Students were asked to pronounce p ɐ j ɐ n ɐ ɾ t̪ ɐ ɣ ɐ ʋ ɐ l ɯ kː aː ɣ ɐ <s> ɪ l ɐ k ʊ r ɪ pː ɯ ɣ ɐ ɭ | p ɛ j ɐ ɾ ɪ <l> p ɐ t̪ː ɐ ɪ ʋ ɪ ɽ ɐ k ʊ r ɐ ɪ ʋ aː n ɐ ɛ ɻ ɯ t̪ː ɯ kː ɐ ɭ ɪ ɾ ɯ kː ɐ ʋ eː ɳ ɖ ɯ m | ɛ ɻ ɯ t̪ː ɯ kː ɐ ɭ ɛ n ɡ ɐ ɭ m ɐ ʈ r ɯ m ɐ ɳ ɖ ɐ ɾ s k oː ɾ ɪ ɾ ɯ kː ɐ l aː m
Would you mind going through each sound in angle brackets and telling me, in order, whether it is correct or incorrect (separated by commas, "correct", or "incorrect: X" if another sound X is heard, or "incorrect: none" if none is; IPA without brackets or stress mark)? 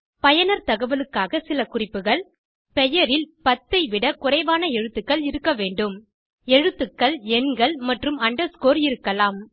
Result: correct, correct